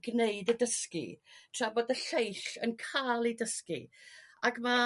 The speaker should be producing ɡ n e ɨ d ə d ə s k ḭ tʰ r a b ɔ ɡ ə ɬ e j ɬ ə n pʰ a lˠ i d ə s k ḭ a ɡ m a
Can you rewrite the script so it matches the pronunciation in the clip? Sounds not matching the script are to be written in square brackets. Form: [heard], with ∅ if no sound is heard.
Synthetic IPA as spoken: ɡ n e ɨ d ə d ə s k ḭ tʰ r a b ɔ [d] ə ɬ e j ɬ ə n [kʰ] a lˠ i d ə s k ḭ a ɡ m a